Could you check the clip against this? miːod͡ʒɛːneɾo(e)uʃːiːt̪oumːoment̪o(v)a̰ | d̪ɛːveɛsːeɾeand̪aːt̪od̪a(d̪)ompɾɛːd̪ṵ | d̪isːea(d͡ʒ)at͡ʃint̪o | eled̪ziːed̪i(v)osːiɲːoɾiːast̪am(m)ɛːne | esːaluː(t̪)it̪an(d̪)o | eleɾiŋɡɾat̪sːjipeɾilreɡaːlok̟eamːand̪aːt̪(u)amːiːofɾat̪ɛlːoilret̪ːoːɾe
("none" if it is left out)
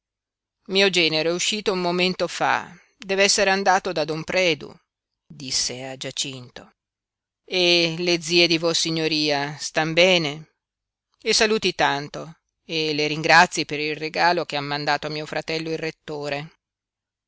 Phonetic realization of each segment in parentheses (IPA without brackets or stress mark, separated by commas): ɛ, f, d̪, d͡ʒ, v, b, t̪, t̪, o